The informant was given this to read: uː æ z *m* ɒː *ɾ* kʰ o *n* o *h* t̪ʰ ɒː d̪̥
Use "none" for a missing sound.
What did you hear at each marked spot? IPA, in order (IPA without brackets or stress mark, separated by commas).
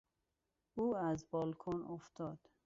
b, l, n, f